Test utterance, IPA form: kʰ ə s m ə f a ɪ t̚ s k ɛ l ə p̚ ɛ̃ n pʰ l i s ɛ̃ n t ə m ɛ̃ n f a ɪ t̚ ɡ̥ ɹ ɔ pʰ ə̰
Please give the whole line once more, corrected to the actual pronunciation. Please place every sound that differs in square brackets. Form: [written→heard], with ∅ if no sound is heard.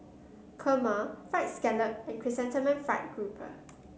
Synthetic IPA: kʰ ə [s→∅] m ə f a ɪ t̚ s k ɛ l ə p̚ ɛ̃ n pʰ [l→ɹ] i s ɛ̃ n t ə m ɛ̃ n f a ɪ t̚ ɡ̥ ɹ [ɔ→u] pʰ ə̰